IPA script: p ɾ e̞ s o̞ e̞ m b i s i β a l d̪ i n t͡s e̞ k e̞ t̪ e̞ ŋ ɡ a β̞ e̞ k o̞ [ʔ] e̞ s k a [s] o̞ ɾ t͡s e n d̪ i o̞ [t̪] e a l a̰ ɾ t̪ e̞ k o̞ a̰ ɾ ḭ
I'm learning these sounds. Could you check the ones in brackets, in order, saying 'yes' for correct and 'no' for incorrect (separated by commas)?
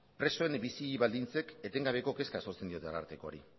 no, yes, yes